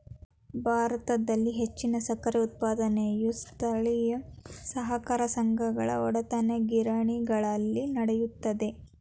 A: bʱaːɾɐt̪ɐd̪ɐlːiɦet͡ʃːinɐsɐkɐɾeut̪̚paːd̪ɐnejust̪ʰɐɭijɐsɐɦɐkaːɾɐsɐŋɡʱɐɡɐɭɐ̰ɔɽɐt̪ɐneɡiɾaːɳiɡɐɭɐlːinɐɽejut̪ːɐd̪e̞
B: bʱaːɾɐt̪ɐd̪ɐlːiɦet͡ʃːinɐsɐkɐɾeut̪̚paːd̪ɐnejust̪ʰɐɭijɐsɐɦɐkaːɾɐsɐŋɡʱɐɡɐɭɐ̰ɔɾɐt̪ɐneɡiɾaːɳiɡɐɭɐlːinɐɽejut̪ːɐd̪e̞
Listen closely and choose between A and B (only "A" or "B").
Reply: A